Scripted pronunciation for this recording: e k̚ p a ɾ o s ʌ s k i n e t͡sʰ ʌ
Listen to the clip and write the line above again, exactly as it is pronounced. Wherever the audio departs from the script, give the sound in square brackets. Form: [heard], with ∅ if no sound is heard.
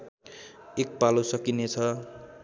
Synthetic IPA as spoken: e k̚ p a [l] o s ʌ [∅] k i n e t͡sʰ ʌ